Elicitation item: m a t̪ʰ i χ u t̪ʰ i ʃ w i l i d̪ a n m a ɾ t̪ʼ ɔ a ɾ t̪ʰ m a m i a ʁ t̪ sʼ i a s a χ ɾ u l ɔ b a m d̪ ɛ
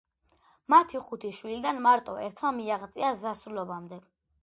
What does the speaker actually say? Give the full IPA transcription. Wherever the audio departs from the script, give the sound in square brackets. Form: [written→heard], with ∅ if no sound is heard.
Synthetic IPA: m a t̪ʰ i χ u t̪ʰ i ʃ w i l i d̪ a n m a ɾ t̪ʼ ɔ [a→ɛ] ɾ t̪ʰ m a m i a ʁ t̪ sʼ i a [s→z] a [χ→s] ɾ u l ɔ b a m d̪ ɛ